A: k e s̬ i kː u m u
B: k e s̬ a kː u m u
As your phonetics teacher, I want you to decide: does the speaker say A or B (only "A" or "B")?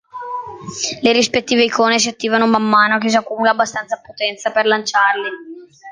B